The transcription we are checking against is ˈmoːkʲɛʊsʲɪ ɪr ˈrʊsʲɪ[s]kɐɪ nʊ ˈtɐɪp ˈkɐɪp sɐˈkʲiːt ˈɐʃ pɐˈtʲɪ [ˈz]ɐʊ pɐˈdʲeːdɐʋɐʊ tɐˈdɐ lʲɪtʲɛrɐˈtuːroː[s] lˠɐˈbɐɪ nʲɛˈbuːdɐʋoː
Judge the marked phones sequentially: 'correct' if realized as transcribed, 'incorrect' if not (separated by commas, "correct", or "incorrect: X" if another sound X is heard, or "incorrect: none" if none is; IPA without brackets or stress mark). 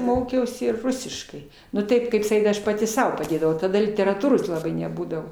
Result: incorrect: ʃ, incorrect: s, correct